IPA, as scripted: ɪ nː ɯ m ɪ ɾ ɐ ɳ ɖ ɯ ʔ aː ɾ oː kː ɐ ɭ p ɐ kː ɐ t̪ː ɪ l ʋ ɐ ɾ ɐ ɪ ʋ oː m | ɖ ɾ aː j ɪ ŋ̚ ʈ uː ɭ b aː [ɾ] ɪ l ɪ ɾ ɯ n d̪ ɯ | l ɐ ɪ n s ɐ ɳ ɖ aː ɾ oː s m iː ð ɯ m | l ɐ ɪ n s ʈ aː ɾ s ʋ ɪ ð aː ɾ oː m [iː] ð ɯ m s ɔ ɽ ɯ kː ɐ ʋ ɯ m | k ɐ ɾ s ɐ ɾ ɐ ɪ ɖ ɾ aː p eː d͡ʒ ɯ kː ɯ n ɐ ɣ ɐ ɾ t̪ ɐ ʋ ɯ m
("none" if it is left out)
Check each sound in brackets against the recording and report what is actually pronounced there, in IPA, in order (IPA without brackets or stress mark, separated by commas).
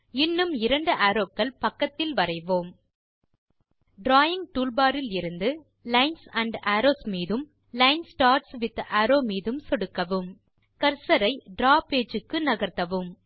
ɾ, iː